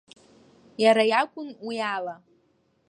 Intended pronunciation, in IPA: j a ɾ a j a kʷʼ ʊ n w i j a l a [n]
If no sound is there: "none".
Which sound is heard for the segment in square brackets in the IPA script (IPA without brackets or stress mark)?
none